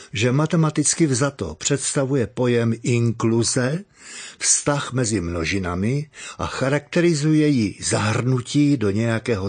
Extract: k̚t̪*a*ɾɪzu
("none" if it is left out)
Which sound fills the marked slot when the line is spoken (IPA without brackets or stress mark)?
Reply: ɛ